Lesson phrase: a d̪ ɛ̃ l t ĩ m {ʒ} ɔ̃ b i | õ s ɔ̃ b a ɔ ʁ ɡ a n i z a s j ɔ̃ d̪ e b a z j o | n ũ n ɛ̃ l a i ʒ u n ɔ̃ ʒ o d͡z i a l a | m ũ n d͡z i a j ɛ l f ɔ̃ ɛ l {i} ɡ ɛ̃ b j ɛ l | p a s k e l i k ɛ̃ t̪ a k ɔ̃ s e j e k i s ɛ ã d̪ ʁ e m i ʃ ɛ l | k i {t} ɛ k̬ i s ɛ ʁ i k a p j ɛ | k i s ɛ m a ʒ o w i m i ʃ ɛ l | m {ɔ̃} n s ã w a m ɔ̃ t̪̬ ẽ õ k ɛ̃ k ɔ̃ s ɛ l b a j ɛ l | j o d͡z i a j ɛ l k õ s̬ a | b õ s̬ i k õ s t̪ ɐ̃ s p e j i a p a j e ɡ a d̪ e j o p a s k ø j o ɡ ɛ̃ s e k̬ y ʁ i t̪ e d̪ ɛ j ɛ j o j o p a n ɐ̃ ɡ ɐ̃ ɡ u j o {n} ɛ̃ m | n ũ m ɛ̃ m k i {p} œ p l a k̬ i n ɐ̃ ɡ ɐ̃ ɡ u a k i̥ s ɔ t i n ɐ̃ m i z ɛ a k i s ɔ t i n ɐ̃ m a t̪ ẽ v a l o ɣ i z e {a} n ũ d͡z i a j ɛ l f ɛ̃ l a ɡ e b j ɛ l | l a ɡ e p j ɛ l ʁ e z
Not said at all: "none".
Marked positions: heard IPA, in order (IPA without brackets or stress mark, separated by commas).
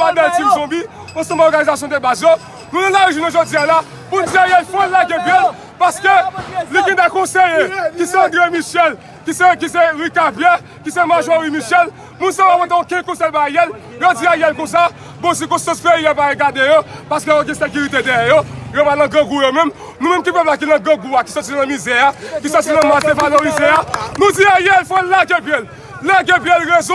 z, a, s, ũ, m, p, a